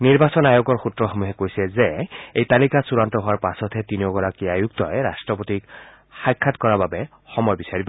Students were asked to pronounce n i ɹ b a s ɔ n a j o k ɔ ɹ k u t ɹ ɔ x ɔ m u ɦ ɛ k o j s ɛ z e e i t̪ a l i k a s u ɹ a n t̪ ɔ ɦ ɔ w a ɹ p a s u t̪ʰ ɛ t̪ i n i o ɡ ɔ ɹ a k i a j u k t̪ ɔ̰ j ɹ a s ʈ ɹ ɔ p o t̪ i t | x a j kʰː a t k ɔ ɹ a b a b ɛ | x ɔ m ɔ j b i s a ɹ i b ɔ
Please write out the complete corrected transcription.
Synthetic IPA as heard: n i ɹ b a s ɔ n a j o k ɔ ɹ x u t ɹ ɔ x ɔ m u ɦ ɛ k o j s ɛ z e e j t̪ a l i k a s u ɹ a n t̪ ɔ ɦ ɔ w a ɹ p a s ɔ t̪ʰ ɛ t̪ i n i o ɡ ɔ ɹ a k i a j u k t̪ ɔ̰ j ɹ a s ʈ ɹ ɔ p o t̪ i k | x a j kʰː a t k ɔ ɹ a b a b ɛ | x ɔ m ɔ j b i s a ɹ i b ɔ